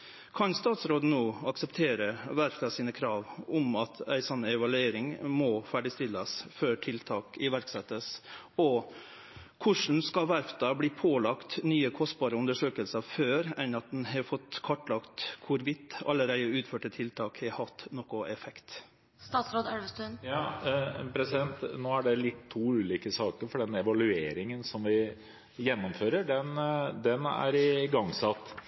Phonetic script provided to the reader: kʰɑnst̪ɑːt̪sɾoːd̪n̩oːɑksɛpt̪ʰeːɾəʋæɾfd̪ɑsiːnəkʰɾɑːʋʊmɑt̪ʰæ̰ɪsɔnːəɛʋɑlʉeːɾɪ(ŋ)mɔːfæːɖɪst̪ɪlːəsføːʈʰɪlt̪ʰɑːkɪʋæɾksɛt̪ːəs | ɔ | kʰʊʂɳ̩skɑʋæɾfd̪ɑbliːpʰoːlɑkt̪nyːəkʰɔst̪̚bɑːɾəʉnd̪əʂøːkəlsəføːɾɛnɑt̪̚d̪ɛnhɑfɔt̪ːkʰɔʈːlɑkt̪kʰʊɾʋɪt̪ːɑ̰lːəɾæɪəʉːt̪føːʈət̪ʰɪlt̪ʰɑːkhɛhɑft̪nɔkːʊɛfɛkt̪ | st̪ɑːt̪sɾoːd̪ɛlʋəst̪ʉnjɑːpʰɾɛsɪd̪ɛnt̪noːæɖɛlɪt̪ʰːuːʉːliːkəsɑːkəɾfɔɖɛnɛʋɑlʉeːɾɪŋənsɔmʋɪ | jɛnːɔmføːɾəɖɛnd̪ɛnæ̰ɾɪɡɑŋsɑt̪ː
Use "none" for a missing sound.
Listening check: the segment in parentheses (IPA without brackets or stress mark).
ŋ